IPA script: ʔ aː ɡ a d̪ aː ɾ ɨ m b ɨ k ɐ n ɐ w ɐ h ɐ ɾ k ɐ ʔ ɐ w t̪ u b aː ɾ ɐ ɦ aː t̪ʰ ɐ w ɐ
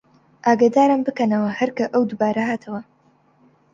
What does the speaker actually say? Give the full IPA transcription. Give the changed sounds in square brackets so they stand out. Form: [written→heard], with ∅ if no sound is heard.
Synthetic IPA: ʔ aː ɡ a d̪ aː ɾ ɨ m b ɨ k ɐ n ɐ w ɐ h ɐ ɾ k ɐ ʔ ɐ w [t̪→d̪] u b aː ɾ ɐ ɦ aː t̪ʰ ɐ w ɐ